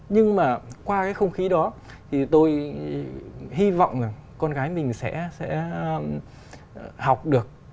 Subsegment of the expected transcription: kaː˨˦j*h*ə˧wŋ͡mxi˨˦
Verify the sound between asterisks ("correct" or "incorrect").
incorrect